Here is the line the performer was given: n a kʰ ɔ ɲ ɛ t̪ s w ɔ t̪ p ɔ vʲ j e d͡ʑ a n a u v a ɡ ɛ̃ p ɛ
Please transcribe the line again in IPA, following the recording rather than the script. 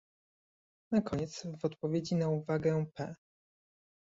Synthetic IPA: n a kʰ ɔ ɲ ɛ t̪ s v ɔ t̪ p ɔ vʲ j e d͡ʑ i n a u v a ɡ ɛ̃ p ɛ